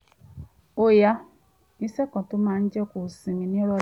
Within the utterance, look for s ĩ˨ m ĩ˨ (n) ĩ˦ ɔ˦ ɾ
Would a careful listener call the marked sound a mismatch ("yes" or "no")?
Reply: no